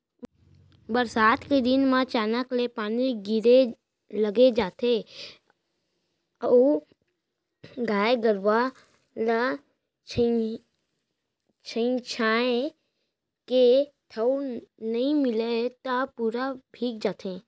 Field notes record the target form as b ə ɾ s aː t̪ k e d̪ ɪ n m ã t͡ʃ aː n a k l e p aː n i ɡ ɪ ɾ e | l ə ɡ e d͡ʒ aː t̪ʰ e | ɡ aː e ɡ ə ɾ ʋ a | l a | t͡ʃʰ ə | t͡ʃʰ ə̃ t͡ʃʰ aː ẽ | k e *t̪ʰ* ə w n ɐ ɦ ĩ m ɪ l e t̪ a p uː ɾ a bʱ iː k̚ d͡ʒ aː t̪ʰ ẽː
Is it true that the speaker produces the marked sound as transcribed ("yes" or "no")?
yes